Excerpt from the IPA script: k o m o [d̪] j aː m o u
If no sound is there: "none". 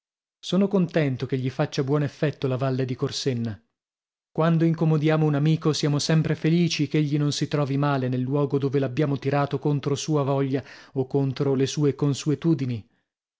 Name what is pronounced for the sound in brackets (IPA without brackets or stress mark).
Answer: d̪